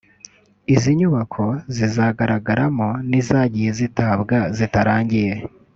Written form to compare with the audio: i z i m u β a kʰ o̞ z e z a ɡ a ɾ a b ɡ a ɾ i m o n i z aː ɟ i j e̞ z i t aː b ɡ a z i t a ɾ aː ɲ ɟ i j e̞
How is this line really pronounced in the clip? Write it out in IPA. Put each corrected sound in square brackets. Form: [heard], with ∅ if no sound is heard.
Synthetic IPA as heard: i z i [ɲ] u β a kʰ o̞ z [i] z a ɡ a ɾ a [∅] ɡ a ɾ [a] m o n i z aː ɟ i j e̞ z i t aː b ɡ a z i t a ɾ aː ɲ ɟ i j e̞